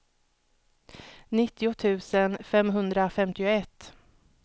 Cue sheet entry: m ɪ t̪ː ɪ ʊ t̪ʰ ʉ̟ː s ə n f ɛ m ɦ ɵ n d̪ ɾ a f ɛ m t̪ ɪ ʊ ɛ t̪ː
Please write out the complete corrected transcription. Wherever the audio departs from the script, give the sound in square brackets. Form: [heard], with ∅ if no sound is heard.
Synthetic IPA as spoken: [n] ɪ t̪ː ɪ ʊ t̪ʰ ʉ̟ː s ə n f ɛ m ɦ ɵ n d̪ ɾ a f ɛ m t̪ ɪ ʊ ɛ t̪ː